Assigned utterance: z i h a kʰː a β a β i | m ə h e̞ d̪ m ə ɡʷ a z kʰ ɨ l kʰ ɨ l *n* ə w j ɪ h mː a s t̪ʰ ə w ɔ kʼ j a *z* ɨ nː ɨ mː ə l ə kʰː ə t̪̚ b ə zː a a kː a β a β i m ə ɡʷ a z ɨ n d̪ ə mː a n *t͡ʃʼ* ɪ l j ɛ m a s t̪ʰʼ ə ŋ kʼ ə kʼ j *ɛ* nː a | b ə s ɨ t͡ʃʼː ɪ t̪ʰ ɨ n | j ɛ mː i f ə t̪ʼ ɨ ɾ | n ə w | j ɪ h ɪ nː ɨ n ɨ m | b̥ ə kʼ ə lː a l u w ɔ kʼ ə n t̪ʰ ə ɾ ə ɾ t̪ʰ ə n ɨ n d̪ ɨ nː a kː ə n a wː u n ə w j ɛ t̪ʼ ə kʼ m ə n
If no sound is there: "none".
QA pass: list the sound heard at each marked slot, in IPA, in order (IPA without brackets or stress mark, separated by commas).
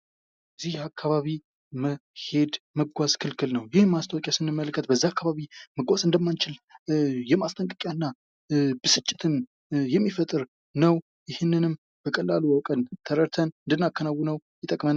n, s, t͡ʃ, a